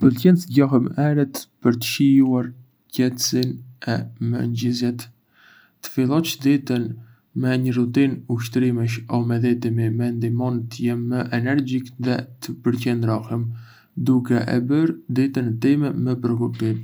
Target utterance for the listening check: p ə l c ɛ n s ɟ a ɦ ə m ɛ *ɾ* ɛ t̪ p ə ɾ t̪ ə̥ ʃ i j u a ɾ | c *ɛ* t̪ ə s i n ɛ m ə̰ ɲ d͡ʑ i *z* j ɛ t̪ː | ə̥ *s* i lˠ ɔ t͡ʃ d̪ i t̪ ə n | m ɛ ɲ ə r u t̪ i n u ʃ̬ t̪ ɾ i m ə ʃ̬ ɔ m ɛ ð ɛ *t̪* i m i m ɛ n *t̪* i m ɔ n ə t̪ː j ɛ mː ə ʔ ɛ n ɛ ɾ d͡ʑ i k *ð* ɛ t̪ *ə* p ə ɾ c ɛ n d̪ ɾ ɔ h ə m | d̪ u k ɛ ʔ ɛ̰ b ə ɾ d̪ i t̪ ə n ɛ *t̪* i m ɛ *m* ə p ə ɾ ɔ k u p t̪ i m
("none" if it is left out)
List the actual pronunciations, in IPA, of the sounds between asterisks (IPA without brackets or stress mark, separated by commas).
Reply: ɾ, ɛ, z, f, t̪, d̪, ð, ə, t̪, m